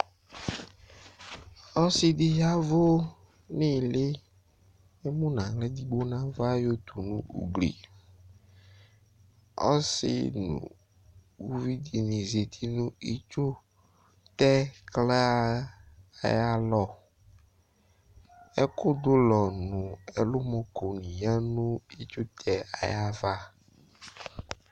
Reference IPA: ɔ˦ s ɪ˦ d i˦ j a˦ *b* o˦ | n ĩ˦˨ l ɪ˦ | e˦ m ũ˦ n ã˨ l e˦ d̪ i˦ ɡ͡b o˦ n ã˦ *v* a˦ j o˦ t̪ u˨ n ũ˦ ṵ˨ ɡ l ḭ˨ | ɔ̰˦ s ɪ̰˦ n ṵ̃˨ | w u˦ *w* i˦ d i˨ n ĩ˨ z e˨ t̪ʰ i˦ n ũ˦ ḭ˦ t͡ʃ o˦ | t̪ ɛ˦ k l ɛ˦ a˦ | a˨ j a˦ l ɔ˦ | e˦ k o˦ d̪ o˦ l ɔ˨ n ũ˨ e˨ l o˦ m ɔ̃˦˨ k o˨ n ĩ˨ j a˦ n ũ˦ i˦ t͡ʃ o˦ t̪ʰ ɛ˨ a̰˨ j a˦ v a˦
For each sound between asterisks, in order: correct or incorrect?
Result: incorrect, correct, incorrect

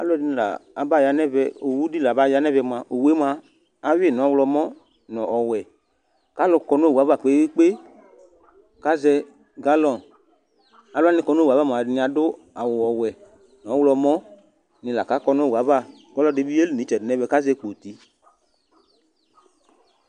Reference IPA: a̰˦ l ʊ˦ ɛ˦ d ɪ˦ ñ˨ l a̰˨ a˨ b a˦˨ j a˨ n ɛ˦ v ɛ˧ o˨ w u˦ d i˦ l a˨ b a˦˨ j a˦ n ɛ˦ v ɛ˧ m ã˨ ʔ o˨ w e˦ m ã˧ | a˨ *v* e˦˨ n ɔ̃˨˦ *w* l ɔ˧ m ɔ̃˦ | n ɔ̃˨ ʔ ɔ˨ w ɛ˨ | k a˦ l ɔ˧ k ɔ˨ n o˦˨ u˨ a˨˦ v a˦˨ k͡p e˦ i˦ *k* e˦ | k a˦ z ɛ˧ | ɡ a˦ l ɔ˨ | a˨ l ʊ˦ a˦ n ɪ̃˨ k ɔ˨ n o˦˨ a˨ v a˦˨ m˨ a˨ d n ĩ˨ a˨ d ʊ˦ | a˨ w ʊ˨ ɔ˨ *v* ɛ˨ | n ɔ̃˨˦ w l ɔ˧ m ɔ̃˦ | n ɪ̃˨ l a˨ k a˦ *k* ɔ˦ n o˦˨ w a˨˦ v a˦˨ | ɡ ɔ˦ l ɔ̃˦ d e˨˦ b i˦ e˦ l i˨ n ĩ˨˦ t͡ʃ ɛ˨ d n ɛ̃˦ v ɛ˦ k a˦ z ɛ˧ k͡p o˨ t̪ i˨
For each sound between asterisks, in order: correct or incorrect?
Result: incorrect, correct, incorrect, incorrect, correct

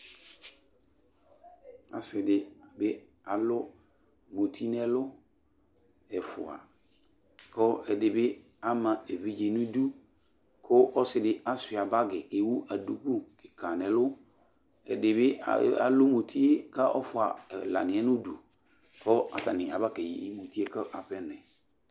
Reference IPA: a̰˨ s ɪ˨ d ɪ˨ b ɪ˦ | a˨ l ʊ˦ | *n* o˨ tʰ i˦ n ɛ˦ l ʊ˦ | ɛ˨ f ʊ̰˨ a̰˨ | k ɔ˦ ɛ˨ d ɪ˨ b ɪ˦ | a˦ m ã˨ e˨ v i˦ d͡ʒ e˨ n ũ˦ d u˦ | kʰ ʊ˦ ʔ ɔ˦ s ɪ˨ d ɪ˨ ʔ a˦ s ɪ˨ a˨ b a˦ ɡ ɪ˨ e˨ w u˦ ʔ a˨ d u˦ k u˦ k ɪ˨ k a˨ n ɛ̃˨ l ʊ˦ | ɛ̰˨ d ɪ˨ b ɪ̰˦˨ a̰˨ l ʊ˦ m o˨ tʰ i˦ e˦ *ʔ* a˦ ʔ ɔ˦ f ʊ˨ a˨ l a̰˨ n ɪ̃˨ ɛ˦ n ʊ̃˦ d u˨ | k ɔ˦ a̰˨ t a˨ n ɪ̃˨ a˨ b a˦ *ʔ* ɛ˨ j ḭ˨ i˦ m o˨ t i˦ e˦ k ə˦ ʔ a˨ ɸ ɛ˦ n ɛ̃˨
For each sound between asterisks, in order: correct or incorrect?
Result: incorrect, incorrect, incorrect

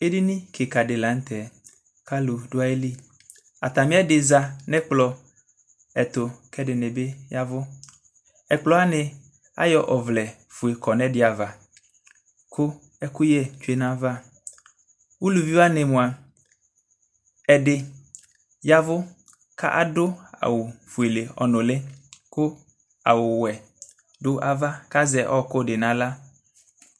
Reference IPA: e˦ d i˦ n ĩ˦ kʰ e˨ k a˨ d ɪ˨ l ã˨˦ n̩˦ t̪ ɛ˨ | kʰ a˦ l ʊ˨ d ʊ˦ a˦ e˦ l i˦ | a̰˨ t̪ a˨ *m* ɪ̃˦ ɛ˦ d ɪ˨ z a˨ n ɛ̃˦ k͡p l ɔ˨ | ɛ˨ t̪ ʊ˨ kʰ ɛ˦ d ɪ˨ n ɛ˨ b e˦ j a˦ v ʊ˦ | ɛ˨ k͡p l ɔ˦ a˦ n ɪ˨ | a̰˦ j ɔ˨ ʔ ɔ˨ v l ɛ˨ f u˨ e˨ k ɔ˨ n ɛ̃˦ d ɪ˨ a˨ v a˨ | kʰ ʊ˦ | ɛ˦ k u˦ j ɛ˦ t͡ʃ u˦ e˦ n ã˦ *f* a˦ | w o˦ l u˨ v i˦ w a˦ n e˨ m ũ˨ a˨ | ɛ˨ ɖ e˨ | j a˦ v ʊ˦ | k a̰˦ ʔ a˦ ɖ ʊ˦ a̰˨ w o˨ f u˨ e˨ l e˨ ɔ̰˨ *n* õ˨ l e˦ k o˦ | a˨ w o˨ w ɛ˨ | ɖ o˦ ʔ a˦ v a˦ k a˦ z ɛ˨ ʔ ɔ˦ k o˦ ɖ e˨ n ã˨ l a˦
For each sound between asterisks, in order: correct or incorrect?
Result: correct, incorrect, correct

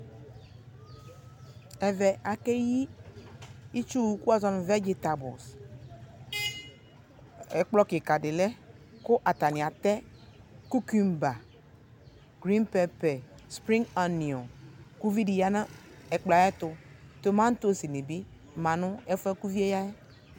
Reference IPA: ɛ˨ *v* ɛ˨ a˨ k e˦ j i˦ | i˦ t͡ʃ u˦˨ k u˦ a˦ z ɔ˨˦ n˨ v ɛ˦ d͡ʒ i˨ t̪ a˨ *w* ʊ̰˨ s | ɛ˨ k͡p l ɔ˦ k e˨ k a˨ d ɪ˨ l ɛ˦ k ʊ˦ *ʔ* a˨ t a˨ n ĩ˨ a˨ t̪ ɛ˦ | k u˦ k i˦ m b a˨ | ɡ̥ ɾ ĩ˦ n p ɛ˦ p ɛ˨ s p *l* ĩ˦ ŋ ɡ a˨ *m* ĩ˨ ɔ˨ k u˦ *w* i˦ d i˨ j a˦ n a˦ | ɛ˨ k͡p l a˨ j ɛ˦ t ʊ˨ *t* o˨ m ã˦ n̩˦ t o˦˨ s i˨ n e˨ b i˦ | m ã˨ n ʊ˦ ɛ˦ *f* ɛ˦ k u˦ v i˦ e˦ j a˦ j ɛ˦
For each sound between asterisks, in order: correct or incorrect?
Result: correct, incorrect, correct, incorrect, incorrect, incorrect, correct, correct

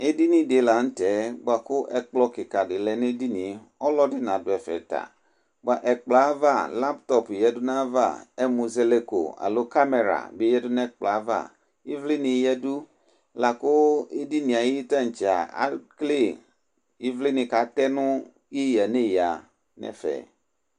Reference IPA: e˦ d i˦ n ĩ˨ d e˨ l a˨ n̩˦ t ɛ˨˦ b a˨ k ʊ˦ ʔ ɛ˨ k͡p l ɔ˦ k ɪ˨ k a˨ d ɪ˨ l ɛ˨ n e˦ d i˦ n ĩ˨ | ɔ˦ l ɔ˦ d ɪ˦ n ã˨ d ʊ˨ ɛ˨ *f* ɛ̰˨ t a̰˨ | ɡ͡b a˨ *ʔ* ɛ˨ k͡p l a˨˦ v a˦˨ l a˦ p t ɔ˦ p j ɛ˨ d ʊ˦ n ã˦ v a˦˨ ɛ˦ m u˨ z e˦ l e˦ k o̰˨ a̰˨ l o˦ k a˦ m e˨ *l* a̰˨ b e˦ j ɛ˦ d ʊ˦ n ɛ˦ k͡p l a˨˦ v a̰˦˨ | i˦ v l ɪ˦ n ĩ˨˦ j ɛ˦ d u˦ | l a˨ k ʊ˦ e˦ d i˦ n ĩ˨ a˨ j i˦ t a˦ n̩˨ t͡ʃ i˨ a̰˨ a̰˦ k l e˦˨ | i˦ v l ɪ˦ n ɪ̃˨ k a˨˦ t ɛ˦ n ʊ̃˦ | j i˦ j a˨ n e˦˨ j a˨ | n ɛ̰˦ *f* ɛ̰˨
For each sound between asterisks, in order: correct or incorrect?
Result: correct, correct, incorrect, correct

